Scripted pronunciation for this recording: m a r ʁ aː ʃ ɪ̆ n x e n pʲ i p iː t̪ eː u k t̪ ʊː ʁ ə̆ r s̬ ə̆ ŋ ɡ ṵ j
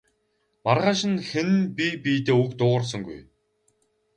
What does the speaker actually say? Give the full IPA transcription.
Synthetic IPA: m a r ʁ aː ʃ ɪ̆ n x e n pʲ i p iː t̪ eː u k t̪ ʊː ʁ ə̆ r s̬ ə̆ ŋ ɡ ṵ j